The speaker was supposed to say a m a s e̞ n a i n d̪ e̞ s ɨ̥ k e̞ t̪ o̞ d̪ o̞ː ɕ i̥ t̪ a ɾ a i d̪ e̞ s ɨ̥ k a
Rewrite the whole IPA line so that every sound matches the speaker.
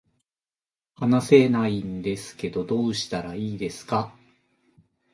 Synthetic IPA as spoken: a n a s e̞ n a i n d̪ e̞ s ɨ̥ k e̞ d̪ o̞ d̪ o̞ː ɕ i̥ t̪ a ɾ a iː d̪ e̞ s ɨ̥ k a